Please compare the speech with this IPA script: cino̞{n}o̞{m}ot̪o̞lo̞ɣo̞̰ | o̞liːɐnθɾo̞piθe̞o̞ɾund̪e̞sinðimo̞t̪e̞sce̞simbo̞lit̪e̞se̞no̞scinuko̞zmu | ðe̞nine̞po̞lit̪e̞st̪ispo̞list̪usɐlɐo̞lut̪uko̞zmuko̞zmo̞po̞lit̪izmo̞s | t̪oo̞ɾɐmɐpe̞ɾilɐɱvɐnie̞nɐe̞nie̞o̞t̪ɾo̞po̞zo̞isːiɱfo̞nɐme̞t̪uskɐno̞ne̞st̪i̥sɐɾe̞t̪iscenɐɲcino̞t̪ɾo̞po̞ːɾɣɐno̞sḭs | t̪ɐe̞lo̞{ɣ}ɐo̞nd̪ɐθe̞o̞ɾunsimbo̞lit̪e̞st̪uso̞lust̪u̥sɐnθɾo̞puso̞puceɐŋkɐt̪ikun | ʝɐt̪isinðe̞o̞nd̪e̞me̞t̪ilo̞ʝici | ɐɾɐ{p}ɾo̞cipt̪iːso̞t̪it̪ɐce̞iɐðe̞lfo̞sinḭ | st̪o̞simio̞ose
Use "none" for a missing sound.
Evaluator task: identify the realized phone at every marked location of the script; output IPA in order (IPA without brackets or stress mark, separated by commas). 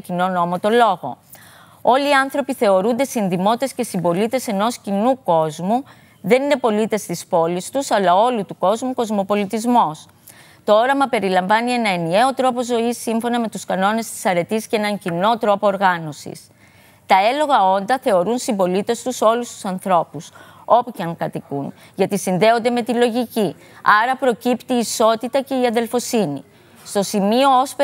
n, m, ɣ, p